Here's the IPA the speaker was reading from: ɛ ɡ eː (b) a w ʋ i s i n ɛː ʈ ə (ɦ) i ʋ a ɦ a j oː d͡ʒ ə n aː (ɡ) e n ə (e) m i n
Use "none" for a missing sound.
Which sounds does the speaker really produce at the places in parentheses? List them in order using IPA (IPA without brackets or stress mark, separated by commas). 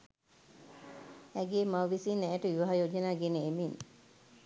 m, none, ɡ, e